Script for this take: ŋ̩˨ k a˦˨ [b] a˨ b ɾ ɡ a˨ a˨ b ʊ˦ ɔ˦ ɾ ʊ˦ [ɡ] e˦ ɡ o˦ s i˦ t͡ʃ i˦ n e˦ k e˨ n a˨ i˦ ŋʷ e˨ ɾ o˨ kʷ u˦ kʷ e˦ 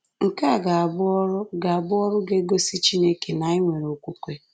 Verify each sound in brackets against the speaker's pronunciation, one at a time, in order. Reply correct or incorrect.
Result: incorrect: ɡ, correct

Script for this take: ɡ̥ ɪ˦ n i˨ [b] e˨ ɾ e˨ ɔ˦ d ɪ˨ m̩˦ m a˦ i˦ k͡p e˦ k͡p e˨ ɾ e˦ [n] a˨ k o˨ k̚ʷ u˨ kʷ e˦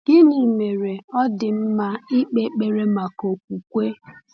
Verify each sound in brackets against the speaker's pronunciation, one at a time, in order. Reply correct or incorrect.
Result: incorrect: m, incorrect: m

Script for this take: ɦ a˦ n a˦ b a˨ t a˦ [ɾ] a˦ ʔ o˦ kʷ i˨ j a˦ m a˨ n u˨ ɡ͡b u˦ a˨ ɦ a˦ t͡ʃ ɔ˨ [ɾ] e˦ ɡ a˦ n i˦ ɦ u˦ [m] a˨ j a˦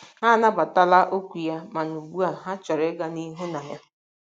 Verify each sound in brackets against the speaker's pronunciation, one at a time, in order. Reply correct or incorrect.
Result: incorrect: l, correct, incorrect: n

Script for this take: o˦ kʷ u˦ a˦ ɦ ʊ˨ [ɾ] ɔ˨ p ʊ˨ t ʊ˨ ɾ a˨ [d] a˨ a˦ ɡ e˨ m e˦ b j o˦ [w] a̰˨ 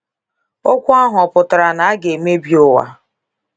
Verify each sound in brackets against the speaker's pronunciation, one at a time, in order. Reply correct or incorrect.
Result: incorrect: none, incorrect: n, correct

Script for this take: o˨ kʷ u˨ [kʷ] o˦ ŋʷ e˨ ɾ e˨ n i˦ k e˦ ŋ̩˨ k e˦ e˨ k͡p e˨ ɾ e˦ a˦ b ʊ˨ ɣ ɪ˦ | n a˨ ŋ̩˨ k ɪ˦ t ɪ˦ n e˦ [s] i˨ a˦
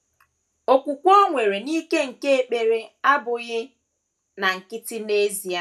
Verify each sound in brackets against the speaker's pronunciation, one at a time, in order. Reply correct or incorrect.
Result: correct, incorrect: z

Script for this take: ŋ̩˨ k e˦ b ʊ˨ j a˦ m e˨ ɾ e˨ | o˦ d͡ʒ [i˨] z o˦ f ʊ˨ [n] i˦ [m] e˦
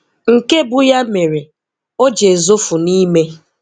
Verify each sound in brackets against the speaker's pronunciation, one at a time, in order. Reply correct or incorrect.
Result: incorrect: e˨, correct, correct

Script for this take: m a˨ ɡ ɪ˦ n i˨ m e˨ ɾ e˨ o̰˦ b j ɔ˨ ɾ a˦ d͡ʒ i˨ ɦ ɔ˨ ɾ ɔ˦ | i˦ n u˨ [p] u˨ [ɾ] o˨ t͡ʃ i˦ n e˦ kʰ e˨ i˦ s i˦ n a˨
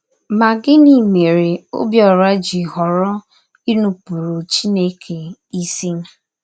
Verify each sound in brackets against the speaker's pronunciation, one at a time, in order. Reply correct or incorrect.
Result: correct, correct

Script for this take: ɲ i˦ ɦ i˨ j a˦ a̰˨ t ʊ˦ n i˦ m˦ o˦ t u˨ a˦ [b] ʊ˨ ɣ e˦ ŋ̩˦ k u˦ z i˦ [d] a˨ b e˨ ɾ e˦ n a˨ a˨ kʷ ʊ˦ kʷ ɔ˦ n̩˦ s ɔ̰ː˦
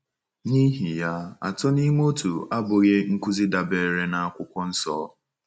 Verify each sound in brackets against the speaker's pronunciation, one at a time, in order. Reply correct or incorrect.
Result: correct, correct

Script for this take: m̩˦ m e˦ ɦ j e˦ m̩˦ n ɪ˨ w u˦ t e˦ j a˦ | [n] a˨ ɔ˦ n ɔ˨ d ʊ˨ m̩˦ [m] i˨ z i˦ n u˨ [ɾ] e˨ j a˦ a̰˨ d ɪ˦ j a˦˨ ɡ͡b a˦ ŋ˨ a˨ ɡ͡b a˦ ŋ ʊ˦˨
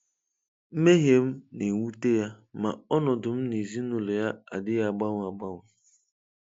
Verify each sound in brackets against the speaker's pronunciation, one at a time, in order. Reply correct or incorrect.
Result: incorrect: m, incorrect: n, incorrect: l

